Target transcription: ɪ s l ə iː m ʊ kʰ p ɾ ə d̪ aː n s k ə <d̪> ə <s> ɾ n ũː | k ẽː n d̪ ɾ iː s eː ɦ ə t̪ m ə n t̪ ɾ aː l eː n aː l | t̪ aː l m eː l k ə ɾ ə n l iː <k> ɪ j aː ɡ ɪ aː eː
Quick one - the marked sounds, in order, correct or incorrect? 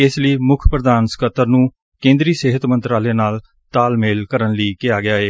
incorrect, incorrect, correct

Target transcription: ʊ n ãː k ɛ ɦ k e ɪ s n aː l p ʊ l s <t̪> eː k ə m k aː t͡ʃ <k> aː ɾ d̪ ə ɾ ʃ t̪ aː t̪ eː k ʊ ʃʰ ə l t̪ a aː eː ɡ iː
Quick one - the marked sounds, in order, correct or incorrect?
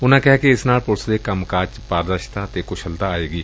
incorrect, incorrect

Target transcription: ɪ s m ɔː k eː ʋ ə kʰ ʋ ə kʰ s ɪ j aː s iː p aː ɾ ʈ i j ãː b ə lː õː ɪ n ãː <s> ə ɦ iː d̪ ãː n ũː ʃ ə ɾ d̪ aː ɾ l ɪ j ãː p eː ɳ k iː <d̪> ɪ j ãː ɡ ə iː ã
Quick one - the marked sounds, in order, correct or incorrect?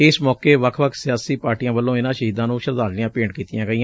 incorrect, incorrect

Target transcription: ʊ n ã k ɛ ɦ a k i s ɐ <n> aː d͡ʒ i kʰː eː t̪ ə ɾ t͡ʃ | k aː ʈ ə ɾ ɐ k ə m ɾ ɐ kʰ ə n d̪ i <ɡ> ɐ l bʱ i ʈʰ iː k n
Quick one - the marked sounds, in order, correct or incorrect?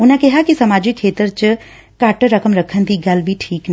incorrect, correct

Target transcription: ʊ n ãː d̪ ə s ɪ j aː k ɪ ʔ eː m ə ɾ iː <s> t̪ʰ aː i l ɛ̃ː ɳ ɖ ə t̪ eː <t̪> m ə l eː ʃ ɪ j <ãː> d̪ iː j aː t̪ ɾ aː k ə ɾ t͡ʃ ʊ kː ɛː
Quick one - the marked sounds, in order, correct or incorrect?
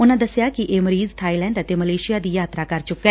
incorrect, incorrect, incorrect

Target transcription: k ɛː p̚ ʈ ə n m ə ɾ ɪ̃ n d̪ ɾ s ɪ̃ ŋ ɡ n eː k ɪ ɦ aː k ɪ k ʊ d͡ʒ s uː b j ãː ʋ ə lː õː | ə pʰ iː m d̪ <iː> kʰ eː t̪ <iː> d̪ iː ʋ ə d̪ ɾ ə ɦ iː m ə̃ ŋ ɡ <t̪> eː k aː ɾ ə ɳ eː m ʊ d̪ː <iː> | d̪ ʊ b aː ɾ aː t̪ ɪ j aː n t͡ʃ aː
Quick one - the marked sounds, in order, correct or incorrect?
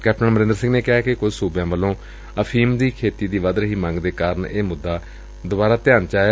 correct, correct, incorrect, incorrect

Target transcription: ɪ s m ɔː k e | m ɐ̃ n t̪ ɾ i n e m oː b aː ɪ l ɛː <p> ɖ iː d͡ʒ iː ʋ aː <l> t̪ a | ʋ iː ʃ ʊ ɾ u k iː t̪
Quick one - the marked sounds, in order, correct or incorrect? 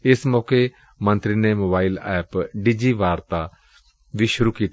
correct, incorrect

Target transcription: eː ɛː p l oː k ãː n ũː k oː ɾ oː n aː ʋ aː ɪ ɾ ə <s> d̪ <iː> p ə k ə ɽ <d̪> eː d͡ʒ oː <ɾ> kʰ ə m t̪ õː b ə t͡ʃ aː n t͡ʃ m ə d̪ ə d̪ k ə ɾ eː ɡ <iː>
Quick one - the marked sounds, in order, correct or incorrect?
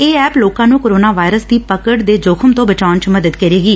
correct, correct, correct, incorrect, correct

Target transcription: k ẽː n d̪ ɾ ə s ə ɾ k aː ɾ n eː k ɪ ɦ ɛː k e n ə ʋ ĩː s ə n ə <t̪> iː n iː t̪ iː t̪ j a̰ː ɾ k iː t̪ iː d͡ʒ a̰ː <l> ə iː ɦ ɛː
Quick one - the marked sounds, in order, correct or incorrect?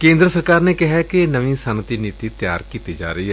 correct, incorrect

